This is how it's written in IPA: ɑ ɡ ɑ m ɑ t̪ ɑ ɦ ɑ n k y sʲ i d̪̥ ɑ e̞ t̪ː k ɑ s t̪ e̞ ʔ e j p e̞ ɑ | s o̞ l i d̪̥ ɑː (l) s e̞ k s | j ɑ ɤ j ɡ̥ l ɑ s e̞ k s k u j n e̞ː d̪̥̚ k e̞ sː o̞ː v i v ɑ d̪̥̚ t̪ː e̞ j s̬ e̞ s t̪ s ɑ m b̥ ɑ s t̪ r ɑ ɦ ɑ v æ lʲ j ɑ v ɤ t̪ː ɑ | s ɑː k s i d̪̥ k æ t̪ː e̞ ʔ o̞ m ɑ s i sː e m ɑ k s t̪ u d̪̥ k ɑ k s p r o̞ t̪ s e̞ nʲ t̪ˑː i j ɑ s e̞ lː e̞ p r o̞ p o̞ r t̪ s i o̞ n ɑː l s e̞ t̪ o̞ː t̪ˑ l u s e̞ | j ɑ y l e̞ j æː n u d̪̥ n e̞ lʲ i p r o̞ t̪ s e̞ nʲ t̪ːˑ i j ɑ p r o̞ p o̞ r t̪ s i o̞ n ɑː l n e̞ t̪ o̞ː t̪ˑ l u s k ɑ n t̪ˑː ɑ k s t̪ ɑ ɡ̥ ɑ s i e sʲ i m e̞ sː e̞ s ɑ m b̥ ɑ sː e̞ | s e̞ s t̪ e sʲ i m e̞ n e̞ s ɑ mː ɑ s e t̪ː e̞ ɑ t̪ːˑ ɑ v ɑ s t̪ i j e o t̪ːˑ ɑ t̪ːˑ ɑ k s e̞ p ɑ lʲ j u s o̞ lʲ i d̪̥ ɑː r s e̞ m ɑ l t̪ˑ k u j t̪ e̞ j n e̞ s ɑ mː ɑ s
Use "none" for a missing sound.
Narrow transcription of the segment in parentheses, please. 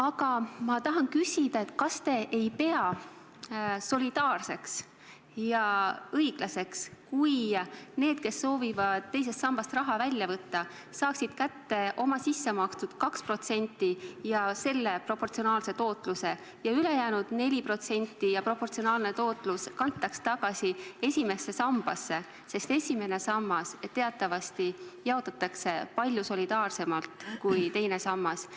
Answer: r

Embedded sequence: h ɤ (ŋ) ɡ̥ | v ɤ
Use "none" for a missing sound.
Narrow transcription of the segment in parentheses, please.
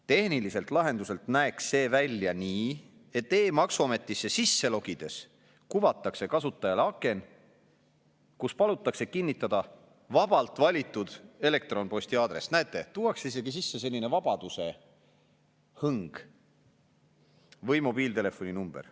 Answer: ŋ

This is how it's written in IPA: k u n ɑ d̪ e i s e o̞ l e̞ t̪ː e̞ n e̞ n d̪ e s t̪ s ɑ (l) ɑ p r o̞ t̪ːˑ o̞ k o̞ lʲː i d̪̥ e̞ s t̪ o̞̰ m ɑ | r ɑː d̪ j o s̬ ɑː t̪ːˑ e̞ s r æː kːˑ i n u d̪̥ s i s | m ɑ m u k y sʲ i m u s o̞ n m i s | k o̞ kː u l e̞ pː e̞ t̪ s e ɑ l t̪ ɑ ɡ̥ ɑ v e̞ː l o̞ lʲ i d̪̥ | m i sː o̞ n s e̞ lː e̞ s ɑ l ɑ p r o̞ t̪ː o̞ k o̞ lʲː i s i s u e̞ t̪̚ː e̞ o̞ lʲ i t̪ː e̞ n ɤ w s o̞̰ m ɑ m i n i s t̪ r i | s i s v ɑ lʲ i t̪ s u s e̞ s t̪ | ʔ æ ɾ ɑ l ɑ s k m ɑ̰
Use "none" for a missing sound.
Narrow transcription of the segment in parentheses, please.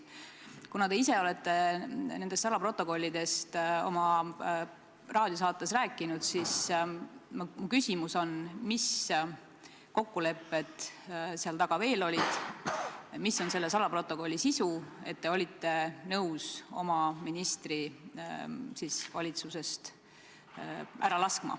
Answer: l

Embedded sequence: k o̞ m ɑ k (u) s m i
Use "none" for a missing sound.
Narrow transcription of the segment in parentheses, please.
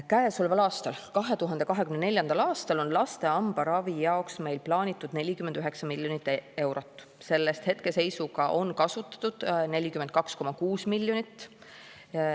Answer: uː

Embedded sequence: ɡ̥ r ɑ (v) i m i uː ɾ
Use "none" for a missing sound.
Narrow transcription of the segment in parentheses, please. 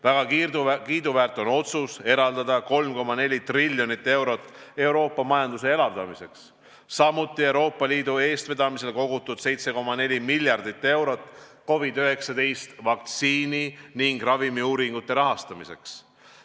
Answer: v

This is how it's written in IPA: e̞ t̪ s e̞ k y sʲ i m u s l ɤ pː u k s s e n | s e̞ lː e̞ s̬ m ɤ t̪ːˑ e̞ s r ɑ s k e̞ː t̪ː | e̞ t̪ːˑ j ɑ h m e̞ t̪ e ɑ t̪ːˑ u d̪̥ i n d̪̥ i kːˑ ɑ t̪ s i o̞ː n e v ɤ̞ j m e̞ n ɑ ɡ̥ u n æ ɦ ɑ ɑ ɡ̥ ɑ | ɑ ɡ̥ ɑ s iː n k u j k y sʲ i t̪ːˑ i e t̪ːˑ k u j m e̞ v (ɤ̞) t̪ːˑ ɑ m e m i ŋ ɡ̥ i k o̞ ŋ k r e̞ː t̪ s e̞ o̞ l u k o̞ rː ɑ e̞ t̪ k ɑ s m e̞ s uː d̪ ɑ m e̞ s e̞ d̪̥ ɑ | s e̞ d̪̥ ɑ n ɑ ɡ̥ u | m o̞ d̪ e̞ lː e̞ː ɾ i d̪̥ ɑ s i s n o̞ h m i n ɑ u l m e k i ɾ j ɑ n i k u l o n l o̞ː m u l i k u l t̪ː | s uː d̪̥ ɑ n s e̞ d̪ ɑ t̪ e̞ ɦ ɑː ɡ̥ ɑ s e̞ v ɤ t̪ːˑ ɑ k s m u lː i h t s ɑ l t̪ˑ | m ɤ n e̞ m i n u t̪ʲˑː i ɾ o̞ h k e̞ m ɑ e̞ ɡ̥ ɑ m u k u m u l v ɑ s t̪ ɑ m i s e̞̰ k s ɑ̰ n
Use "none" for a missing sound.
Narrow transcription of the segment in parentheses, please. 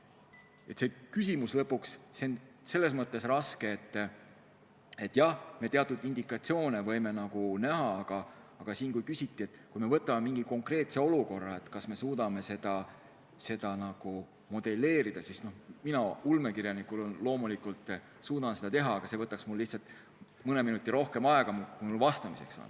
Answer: ɤ̞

